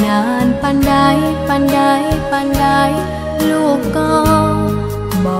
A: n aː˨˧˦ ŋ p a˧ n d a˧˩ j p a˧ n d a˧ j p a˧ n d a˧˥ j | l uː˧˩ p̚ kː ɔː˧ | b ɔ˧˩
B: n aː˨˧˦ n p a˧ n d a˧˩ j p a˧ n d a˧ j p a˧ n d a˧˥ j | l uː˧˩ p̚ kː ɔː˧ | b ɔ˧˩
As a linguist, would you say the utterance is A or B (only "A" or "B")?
B